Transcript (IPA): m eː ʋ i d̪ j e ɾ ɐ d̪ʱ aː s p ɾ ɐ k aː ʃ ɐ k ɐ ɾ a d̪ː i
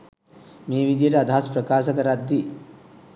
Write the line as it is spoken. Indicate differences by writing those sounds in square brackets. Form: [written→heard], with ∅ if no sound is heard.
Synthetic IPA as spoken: m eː ʋ i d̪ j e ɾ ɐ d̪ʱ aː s p ɾ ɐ k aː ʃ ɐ k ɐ ɾ a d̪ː i